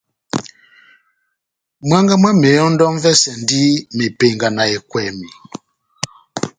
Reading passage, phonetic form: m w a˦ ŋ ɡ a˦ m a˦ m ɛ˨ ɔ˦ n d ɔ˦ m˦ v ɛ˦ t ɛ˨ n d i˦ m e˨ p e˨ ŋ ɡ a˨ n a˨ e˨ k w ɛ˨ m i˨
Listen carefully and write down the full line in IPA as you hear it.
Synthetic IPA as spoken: m w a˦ ŋ ɡ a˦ m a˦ m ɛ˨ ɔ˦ n d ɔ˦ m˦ v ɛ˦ s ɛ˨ n d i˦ m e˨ p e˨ ŋ ɡ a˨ n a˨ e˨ k w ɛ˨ m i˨